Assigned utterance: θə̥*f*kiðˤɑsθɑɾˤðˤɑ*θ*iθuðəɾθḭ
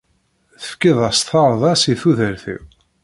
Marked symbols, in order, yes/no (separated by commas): yes, no